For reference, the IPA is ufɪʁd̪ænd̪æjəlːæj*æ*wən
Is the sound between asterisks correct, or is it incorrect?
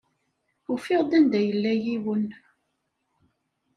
incorrect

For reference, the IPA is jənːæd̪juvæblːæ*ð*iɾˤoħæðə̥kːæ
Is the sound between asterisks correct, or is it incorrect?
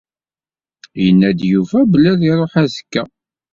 correct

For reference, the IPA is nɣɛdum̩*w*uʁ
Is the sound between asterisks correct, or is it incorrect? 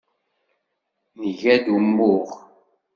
incorrect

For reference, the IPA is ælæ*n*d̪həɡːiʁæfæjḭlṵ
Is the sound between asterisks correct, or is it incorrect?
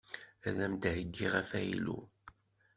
incorrect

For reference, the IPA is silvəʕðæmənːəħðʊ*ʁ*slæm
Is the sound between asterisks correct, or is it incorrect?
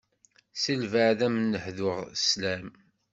correct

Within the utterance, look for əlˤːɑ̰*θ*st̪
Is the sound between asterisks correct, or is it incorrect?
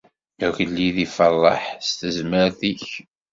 incorrect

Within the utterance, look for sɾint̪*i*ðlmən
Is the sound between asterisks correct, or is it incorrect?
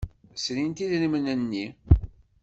correct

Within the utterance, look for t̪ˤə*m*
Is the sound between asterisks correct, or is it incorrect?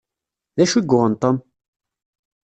correct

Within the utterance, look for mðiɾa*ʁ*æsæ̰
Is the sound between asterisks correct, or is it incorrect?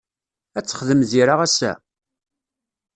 correct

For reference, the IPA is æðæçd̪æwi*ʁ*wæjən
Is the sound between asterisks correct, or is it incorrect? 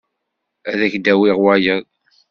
correct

